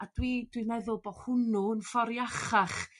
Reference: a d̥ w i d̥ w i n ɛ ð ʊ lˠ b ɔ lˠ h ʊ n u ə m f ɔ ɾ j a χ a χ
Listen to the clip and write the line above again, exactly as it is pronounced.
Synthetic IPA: a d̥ w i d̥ w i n ɛ ð ʊ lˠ b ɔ h ʊ n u ə n f ɔ ɾ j a χ a χ

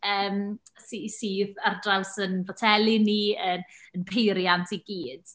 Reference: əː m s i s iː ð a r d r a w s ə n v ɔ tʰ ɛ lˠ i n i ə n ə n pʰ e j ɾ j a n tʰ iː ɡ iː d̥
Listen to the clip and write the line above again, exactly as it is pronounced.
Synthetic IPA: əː m s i s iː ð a r d r a w s ə n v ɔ tʰ ɛ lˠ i n i ə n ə n pʰ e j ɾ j a n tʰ i ɡ iː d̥

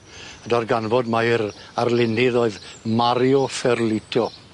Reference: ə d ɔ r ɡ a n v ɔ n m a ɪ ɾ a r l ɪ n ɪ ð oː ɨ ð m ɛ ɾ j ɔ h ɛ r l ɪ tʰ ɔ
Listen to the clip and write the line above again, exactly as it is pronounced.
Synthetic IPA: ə d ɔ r ɡ a n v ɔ d m a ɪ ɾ a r l ɪ n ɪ ð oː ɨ ð m a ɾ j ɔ f ɛ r l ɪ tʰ ɔ

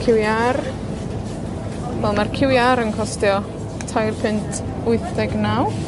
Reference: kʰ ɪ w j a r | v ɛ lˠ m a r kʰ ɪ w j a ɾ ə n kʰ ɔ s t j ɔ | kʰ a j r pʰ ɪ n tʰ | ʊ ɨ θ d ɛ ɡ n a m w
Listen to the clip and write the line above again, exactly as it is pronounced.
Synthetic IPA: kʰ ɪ w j a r | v ɛ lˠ m a r kʰ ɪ w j a ɾ ə n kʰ ɔ s t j ɔ | tʰ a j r pʰ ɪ n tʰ | ʊ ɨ θ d ɛ ɡ n a w

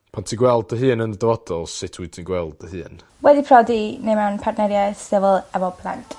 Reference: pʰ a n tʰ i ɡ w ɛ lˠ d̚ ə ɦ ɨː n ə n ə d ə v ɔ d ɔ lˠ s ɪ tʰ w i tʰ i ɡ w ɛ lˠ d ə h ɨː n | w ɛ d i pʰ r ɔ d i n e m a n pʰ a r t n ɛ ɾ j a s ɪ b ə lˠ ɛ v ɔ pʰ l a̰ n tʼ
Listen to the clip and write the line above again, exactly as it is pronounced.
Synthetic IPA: pʰ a n tʰ i ɡ w ɛ lˠ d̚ ə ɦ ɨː n ə n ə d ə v ɔ d ɔ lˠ s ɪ tʰ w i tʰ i ɡ w ɛ lˠ d ə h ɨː n | w ɛ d i pʰ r ɔ d i n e m a n pʰ a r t n ɛ ɾ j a s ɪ v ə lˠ ɛ v ɔ pʰ l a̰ n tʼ

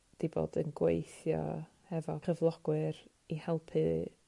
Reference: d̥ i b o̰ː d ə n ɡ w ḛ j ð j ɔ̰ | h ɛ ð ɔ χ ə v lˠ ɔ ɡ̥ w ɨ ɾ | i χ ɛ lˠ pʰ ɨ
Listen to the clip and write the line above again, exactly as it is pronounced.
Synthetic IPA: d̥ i b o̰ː d ə n ɡ w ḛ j θ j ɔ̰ | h ɛ v ɔ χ ə v lˠ ɔ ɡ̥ w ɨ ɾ | i h ɛ lˠ pʰ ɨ

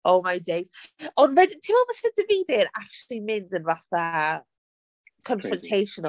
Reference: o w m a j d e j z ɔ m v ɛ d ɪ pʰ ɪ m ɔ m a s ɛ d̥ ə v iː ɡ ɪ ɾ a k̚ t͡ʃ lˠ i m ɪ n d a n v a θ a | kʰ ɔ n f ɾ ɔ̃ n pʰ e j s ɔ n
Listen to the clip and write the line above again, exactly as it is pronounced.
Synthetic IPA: o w m a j d e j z ɔ n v ɛ d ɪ tʰ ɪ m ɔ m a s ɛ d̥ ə v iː d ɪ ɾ a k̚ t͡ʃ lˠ i m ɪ n d ə n v a θ a | kʰ ɔ n f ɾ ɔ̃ n tʰ e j ʃ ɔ n

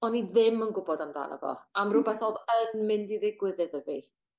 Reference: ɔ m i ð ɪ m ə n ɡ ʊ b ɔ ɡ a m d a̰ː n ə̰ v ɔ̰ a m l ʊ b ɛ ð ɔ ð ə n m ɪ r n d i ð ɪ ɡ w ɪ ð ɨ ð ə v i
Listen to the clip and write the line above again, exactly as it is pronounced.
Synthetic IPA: ɔ n i ð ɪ m ə n ɡ ʊ b ɔ d a m d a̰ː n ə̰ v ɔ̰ a m r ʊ b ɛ θ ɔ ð ə n m ɪ n d i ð ɪ ɡ w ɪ ð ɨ ð ə v i

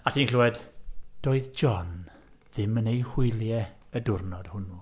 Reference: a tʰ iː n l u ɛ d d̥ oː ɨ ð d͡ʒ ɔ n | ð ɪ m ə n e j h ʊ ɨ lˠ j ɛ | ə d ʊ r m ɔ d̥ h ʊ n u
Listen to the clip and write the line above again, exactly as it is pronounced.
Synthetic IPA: a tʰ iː n l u ɛ d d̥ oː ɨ ð d͡ʒ ɔ n | ð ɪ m ə n e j h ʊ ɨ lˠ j ɛ | ə d ʊ r n ɔ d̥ h ʊ n u

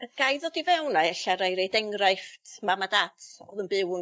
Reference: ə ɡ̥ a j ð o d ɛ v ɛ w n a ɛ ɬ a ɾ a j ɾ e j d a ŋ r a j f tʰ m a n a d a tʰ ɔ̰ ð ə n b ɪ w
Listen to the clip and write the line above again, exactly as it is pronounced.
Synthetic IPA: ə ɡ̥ a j ð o d i v ɛ w n a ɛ ɬ a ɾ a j ɾ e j d ɛ ŋ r a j f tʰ m a m a d a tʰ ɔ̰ ð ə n b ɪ w

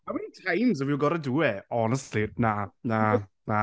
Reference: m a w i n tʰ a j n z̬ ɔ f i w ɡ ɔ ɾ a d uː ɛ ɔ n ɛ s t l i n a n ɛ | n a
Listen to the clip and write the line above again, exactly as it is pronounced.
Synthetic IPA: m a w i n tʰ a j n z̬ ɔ v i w ɡ ɔ ɾ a d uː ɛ ɔ n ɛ s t l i n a n a | n a

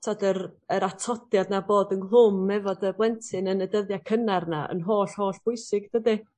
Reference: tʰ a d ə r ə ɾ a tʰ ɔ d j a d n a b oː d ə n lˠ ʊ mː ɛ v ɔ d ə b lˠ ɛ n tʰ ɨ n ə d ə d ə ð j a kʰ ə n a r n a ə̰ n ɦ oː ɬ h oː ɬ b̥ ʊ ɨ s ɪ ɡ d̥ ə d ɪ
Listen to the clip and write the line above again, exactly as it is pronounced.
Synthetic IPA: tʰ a d ə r ə ɾ a tʰ ɔ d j a d n a b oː d ə n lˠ ʊ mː ɛ v ɔ d ə b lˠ ɛ n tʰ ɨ n ə n ə d ə ð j a kʰ ə n a r n a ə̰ n ɦ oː ɬ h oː ɬ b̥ ʊ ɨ s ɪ ɡ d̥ ə d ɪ

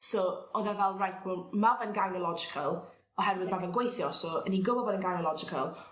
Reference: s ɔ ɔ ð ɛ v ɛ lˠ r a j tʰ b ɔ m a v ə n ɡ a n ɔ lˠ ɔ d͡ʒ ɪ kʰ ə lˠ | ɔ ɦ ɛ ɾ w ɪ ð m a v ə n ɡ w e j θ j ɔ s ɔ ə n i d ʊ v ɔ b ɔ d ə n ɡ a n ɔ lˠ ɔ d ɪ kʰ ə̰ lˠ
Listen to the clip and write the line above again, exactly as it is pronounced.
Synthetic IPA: s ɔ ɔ ð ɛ v ɛ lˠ r a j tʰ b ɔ m a v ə n ɡ a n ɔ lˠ ɔ d͡ʒ ɪ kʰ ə lˠ | ɔ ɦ ɛ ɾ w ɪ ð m a v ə n ɡ w e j θ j ɔ s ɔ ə n i ɡ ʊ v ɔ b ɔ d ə n ɡ a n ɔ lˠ ɔ d͡ʒ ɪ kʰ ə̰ lˠ

